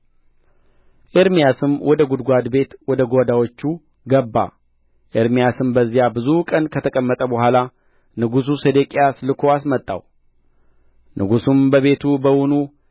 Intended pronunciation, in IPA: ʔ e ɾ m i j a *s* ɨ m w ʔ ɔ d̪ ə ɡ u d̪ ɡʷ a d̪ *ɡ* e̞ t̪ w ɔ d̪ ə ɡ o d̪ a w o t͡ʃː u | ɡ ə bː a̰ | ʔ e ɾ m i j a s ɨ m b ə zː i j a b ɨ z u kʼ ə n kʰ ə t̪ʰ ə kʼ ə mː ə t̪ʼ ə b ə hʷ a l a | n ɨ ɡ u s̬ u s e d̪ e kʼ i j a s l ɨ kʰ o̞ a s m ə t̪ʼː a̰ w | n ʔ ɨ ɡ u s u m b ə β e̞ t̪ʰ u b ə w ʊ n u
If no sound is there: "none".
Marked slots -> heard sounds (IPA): s, b

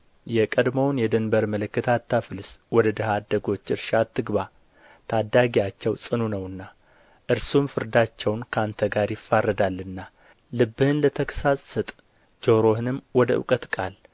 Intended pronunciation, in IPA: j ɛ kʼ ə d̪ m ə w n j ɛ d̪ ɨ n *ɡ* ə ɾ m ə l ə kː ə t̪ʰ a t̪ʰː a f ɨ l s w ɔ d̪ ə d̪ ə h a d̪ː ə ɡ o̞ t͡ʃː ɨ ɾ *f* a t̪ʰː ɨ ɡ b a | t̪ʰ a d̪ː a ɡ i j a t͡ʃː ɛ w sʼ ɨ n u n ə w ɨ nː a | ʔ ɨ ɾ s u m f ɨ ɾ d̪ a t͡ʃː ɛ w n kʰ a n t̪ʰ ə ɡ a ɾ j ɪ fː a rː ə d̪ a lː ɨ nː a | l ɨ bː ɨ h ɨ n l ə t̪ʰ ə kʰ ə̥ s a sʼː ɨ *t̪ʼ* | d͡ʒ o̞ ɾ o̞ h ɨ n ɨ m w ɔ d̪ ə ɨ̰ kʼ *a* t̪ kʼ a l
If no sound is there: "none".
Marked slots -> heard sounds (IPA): b, ʃ, t̪ʼ, ə

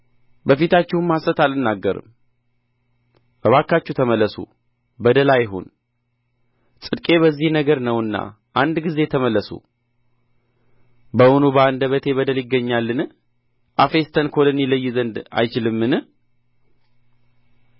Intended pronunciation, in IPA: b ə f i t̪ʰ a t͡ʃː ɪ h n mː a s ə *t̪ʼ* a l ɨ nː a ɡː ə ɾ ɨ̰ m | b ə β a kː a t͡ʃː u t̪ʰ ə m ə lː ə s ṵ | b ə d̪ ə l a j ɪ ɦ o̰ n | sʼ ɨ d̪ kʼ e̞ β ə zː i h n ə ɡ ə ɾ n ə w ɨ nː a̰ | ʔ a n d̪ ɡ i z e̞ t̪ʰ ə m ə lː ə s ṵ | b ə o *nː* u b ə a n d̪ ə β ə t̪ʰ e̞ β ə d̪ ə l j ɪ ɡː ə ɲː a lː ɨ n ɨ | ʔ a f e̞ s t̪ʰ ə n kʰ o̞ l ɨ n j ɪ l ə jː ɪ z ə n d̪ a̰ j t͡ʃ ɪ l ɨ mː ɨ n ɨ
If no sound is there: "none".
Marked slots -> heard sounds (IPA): t̪, n

